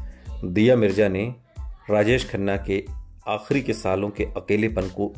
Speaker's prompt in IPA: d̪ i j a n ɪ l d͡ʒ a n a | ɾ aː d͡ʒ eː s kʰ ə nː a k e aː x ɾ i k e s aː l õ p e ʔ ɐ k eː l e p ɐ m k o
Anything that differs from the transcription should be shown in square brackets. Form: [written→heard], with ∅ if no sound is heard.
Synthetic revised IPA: d̪ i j a [n→m] ɪ [l→ɾ] d͡ʒ a n [a→e] | ɾ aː d͡ʒ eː [s→ʃ] kʰ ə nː a k e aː x ɾ i k e s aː l õ [p→k] e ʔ ɐ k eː l e p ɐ [m→n] k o